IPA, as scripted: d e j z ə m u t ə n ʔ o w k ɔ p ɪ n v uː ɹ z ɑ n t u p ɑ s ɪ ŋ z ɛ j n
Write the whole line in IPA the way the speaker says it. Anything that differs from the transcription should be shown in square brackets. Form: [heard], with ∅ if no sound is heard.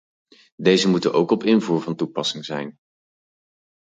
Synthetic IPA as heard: d e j z ə m u t ə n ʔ o w k ɔ p ɪ n v uː ɹ [v] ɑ n t u p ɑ s ɪ ŋ z ɛ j n

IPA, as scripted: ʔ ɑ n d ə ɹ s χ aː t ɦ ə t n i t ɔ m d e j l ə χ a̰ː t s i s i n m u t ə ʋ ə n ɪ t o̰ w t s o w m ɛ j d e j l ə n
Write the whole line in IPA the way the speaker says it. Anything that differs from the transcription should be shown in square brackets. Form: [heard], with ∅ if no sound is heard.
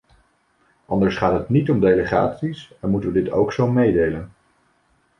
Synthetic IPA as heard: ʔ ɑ n d ə ɹ s χ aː t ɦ ə t n i t ɔ m d e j l ə χ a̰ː t s i s [ɛ] n m u t ə ʋ ə [d] ɪ t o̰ w [k] s o w m [e] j d e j l ə n

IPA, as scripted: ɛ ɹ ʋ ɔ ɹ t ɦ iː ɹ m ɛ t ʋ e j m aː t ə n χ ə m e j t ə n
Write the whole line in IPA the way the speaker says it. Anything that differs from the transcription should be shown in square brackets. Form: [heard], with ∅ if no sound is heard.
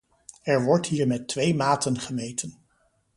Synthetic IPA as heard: ɛ ɹ ʋ ɔ ɹ t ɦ iː ɹ m ɛ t ʋ e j m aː t ə n χ ə m e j t ə n

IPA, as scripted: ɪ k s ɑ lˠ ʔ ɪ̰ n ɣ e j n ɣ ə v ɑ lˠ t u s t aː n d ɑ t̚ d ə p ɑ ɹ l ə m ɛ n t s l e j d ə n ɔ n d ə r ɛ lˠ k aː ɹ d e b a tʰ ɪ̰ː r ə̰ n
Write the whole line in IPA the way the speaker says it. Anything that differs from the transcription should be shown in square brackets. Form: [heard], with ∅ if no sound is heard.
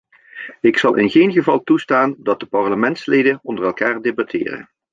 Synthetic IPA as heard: ɪ k s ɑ lˠ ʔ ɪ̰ n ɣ e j n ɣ ə v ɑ lˠ t u s t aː n d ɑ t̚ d ə p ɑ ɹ l ə m ɛ n t s l e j d ə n ɔ n d ə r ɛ lˠ k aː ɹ d e b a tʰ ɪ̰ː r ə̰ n

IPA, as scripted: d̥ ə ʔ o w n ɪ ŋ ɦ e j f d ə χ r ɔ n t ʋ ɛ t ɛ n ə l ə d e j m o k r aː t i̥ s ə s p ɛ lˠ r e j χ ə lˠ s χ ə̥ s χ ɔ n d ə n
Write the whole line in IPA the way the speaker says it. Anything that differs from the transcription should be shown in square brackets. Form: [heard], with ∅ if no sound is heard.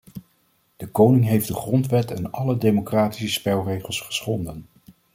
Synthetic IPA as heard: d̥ ə [k] o w n ɪ ŋ ɦ e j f d ə χ r ɔ n t ʋ ɛ t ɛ n [ɑ] l ə d e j m o k r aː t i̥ s ə s p ɛ lˠ r e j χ ə lˠ s χ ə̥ s χ ɔ n d ə n

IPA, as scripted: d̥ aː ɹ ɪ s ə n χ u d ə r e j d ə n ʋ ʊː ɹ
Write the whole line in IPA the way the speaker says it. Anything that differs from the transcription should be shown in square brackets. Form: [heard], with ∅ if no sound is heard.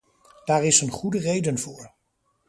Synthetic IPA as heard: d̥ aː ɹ ɪ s ə n χ u d ə r e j d ə n [v] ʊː ɹ

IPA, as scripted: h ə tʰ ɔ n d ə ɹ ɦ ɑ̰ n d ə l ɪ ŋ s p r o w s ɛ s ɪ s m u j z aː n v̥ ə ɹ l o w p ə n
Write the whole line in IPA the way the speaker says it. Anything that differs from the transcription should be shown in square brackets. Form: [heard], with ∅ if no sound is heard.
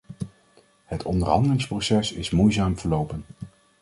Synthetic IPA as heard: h ə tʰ ɔ n d ə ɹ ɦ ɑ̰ n d ə l ɪ ŋ s p r o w s ɛ s ɪ s m u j z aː [m] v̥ ə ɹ l o w p ə n

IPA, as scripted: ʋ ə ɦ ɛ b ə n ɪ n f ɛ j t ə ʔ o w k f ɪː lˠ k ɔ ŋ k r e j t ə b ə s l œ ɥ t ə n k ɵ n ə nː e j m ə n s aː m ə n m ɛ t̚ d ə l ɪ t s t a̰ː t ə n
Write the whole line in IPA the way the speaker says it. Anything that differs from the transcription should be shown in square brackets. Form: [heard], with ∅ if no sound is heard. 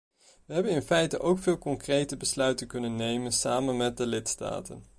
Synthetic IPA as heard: ʋ ə ɦ ɛ b ə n ɪ n f ɛ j t ə ʔ o w k f ɪː lˠ k ɔ ŋ k r e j t ə b ə s l œ ɥ t ə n k ɵ n ə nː e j m ə n s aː m ə n m ɛ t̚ d ə l ɪ t s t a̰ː t ə n

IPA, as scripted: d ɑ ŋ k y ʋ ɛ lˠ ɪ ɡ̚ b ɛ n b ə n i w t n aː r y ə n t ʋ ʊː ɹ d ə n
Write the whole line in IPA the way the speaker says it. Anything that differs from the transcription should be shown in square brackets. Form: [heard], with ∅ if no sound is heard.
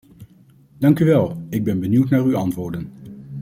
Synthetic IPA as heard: d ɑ ŋ k y ʋ ɛ lˠ ɪ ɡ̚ b ɛ n b ə n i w t n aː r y [ɑ] n t ʋ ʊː ɹ d ə n

